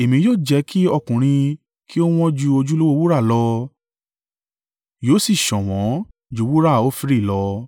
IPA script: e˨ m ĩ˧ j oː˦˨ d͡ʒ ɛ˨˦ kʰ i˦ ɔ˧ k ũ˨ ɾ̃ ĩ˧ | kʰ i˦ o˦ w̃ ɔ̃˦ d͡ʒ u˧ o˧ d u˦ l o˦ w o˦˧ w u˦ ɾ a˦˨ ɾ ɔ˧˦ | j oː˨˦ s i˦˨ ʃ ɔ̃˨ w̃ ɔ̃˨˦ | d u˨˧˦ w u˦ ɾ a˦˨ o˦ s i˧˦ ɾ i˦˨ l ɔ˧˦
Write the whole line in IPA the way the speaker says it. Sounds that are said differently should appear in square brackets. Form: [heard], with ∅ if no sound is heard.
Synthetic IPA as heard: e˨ m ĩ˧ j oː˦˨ d͡ʒ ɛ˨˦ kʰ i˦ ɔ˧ k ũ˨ ɾ̃ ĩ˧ | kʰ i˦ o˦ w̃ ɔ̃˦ d͡ʒ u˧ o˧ [d͡ʒ] u˦ l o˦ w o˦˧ w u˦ ɾ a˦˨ [l] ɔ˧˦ | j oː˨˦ s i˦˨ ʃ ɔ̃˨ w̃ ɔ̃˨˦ | [d͡ʒ] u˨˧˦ w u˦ ɾ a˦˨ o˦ [f] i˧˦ ɾ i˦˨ l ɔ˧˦